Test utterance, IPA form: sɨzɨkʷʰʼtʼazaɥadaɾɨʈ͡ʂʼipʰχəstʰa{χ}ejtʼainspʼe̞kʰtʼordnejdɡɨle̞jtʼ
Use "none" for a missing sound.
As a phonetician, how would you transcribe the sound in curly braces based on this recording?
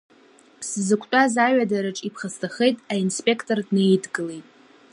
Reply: χ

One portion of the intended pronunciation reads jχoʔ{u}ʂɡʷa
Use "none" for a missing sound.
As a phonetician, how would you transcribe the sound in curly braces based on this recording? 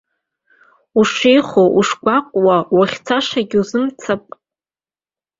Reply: u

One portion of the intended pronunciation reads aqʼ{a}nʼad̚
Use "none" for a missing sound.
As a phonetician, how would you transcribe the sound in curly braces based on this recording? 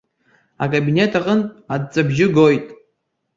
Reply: ə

